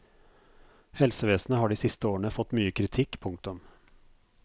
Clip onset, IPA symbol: h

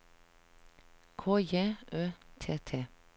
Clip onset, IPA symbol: kʰ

